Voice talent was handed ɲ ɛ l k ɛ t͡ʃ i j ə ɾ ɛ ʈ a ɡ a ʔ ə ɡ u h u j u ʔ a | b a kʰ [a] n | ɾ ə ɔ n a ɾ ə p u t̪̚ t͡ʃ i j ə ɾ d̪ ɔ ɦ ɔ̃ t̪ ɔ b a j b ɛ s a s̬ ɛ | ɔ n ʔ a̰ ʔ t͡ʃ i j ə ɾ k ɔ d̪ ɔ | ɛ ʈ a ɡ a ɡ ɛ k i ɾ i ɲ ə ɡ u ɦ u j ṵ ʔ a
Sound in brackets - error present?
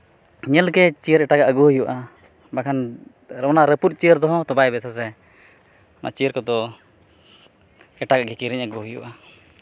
no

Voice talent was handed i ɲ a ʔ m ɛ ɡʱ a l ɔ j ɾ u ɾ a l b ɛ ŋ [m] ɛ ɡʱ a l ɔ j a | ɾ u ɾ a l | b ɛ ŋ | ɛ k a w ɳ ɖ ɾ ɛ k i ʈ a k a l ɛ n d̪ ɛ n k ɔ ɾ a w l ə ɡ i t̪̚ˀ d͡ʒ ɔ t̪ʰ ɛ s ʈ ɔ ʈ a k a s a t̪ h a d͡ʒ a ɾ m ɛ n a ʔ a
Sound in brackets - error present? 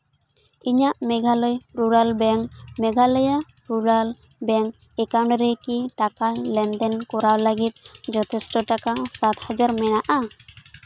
no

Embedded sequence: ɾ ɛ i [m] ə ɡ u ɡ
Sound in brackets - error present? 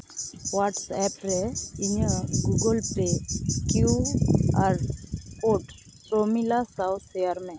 yes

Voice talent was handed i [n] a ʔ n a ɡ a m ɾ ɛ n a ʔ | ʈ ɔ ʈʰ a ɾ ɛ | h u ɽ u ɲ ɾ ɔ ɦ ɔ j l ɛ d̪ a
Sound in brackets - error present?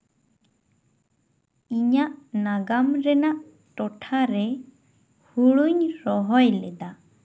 yes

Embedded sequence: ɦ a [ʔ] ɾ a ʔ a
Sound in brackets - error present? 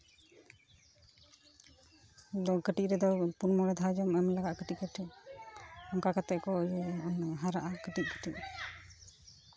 yes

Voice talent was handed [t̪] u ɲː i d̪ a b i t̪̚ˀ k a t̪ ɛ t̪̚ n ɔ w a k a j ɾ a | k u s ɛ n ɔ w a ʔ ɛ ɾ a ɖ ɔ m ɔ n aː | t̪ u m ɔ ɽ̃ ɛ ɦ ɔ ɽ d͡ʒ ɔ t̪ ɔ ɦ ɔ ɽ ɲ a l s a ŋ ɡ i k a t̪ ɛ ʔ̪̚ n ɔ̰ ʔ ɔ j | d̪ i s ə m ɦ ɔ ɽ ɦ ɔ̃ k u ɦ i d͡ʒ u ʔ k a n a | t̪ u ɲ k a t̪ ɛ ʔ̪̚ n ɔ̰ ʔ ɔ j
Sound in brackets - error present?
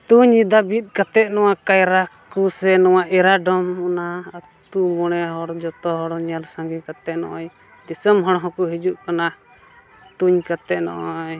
no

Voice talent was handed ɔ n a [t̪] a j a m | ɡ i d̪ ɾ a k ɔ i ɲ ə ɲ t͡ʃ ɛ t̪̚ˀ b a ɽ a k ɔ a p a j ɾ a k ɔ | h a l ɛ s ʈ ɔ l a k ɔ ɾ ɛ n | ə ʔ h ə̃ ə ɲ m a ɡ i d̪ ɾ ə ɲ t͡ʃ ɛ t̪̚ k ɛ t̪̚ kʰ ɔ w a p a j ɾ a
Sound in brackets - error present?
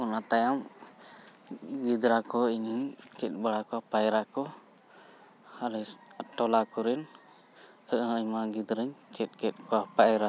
no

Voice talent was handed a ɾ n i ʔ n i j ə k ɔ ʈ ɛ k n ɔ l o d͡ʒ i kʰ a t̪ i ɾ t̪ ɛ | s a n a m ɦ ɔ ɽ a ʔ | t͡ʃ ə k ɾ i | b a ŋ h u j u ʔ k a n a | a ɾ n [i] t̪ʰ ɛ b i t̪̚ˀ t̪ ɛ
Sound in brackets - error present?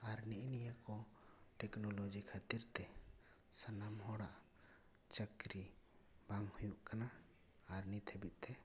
no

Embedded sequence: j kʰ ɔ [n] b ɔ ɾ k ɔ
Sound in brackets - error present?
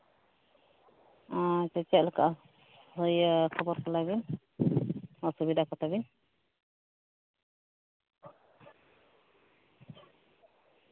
yes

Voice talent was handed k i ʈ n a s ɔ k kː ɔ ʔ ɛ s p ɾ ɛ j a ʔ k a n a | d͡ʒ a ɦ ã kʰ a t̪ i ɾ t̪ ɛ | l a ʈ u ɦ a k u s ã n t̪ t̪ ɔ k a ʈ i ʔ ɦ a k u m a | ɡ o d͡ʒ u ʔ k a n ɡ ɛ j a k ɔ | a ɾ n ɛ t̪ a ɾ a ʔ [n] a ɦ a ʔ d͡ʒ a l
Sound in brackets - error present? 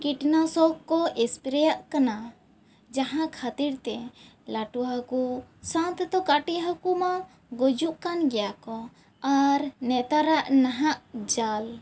no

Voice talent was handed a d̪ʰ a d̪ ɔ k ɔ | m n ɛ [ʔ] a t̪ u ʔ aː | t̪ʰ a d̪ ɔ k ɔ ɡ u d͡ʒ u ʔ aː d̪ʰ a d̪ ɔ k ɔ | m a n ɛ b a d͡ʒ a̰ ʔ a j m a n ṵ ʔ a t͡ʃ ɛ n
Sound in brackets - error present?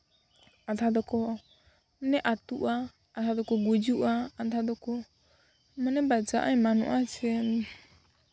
no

